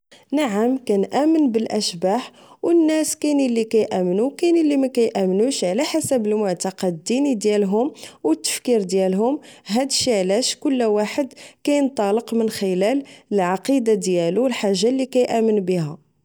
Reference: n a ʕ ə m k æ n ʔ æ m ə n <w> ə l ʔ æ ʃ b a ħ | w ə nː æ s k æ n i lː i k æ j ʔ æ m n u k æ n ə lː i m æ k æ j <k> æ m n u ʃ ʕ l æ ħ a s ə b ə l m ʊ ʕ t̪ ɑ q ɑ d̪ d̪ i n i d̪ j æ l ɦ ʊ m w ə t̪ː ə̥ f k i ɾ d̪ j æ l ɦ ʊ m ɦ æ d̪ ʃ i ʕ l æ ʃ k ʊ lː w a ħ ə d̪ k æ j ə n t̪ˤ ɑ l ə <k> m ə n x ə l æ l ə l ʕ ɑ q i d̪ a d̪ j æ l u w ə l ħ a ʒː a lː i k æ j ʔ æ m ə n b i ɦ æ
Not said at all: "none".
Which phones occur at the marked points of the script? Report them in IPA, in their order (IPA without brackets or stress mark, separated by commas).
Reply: b, ʔ, q